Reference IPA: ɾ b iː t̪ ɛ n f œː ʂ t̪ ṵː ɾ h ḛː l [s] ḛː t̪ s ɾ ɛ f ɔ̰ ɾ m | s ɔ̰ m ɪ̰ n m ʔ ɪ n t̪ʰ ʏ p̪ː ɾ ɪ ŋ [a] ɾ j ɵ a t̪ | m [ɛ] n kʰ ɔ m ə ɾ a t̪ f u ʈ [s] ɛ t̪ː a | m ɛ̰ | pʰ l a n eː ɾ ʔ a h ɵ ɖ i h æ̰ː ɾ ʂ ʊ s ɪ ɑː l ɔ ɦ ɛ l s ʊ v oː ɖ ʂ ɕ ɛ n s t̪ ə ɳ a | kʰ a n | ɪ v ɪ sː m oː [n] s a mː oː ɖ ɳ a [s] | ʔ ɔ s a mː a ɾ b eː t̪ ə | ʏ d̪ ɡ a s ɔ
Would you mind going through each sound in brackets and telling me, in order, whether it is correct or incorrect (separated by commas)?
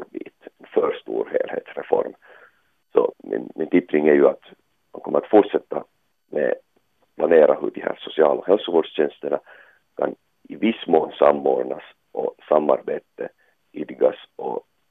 incorrect, incorrect, incorrect, incorrect, correct, correct